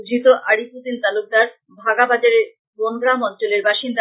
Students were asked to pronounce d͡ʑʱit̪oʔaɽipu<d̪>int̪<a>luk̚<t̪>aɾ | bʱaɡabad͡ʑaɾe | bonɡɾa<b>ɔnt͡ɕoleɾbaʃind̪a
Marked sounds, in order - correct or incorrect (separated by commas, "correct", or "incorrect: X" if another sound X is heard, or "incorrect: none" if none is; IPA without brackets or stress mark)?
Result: incorrect: t̪, correct, incorrect: d̪, incorrect: m